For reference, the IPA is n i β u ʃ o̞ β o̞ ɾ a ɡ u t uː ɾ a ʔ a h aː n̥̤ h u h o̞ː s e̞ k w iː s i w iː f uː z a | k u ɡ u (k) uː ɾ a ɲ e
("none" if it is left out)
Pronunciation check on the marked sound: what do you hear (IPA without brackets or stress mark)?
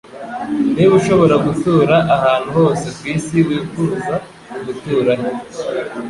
t